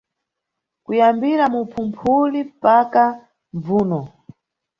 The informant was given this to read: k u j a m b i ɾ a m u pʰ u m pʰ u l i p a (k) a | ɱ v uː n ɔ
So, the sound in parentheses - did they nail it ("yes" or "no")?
yes